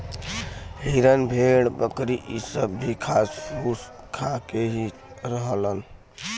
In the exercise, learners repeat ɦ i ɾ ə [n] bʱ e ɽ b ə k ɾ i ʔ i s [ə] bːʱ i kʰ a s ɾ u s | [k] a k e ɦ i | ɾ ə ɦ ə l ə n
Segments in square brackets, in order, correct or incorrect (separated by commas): correct, correct, incorrect